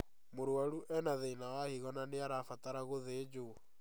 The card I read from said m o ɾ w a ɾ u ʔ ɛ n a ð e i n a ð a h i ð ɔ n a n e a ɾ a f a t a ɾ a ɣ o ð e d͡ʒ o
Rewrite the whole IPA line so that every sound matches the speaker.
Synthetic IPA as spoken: m o ɾ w a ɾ u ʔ ɛ n a ð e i n a ɣ a h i ɣ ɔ n a n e a ɾ a f a t a ɾ a ɣ o ð e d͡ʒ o